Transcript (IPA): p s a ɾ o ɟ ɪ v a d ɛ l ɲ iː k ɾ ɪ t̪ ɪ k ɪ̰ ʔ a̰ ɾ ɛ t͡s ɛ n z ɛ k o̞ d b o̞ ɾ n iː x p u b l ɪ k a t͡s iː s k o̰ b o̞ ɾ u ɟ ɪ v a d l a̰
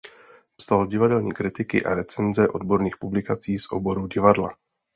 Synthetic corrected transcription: p s a l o ɟ ɪ v a d ɛ l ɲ iː k ɾ ɪ t̪ ɪ k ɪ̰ ʔ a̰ ɾ ɛ t͡s ɛ n z ɛ ʔ o̞ d b o̞ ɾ n iː x p u b l ɪ k a t͡s iː s ʔ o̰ b o̞ ɾ u ɟ ɪ v a d l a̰